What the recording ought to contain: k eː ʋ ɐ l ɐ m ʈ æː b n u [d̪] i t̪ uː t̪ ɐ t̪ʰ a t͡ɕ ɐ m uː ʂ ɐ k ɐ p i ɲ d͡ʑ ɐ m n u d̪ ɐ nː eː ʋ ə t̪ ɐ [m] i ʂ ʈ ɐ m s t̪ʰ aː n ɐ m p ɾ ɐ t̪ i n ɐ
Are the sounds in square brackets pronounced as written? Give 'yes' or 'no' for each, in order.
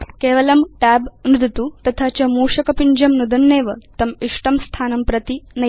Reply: yes, yes

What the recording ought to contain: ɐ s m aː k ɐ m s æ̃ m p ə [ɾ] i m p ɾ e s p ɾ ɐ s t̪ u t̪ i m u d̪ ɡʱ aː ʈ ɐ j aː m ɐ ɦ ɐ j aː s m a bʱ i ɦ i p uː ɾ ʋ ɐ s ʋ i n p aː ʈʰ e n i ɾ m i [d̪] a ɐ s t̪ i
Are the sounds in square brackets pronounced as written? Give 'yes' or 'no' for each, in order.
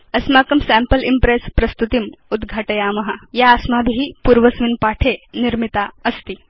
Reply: no, no

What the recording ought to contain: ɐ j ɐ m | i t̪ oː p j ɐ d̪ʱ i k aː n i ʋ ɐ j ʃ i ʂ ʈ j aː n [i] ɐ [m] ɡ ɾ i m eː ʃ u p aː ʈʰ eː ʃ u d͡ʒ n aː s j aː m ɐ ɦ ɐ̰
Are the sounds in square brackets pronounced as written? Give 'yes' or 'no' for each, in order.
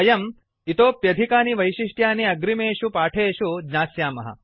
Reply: yes, no

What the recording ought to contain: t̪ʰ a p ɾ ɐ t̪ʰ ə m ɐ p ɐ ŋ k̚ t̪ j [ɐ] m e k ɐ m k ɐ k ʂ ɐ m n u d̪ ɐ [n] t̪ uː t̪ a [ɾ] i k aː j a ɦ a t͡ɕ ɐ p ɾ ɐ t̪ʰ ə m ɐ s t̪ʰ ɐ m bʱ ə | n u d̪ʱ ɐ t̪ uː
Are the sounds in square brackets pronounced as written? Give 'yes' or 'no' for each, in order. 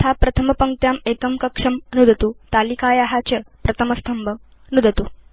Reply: no, no, no

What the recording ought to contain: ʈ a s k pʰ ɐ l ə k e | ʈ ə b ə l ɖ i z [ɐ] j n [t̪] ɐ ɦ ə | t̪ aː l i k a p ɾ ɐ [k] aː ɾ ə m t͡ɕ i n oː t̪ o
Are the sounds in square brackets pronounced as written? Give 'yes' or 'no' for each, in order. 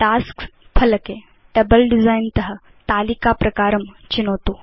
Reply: no, yes, yes

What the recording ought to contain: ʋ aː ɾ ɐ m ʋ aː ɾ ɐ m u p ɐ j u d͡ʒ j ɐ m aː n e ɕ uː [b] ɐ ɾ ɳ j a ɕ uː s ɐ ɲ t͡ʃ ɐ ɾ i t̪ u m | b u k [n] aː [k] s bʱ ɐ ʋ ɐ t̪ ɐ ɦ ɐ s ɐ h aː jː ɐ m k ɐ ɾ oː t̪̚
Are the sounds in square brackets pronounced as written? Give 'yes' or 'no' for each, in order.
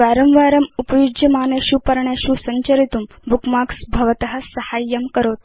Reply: no, no, yes

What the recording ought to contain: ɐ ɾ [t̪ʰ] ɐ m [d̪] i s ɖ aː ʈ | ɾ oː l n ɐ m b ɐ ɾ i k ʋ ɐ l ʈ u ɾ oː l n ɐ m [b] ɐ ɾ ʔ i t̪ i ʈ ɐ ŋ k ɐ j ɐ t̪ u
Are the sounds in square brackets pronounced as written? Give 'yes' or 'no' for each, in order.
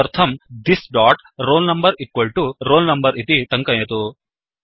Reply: yes, yes, yes

